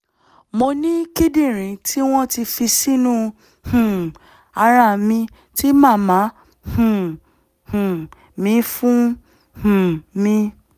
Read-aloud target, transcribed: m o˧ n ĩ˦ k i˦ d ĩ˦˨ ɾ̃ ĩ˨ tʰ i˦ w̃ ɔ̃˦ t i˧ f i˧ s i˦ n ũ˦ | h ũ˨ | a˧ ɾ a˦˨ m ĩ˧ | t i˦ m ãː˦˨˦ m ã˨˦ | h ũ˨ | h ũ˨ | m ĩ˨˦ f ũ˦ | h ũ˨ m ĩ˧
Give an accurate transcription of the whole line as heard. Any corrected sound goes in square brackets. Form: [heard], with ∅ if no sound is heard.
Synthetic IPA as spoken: m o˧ n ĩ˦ k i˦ d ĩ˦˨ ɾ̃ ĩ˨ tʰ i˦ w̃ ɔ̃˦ t i˧ f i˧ s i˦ n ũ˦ | h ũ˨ | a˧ ɾ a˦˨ m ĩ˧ | t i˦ m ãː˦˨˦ m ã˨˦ | h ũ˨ | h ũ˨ | m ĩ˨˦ f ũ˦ | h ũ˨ m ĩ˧